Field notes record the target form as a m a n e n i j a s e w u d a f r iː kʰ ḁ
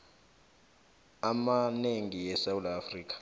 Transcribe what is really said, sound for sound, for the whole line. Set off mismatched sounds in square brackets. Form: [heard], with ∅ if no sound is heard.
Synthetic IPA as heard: a m a n e [ŋ] i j [ɛ] s [a] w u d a f r iː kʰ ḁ